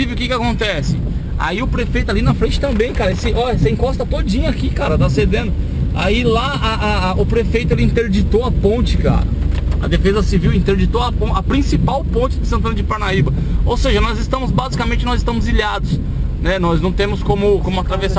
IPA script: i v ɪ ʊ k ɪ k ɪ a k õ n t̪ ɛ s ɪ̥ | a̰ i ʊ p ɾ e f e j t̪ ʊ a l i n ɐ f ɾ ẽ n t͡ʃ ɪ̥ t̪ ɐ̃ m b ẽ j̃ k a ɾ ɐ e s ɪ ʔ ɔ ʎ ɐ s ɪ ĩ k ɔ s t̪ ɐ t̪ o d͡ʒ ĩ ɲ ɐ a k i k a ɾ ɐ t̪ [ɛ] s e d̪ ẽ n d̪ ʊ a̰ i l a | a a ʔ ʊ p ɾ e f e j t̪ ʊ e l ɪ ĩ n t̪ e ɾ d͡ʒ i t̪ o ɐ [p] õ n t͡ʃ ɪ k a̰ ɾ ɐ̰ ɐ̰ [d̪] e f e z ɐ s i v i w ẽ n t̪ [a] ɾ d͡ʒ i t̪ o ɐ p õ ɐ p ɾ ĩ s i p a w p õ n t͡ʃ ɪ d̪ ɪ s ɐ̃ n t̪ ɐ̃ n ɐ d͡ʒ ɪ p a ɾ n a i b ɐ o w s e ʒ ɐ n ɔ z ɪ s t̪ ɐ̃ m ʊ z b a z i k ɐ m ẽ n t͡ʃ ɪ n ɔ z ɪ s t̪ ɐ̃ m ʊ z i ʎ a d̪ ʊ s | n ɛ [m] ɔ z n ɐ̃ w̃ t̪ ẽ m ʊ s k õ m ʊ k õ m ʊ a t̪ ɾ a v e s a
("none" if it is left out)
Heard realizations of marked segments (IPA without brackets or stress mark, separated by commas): a, p, d̪, e, n